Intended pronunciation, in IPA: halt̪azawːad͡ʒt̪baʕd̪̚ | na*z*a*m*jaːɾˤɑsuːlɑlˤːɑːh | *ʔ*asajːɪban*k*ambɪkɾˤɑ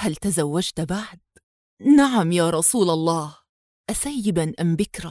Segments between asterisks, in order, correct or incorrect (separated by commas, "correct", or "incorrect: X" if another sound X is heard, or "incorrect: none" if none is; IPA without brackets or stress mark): incorrect: ʕ, correct, correct, incorrect: ʔ